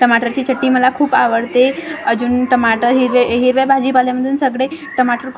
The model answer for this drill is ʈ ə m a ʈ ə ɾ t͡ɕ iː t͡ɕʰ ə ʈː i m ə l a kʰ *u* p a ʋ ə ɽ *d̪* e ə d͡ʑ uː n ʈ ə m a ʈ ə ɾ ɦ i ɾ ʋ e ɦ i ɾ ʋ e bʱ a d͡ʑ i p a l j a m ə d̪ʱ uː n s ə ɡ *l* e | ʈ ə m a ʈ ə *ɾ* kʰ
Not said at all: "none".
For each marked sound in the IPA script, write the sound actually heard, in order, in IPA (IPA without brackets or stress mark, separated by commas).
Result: uː, t̪, ɽ, ɾ